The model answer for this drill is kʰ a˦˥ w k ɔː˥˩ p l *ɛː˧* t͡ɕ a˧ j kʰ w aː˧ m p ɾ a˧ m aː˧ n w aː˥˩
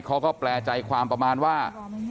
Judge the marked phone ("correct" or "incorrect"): correct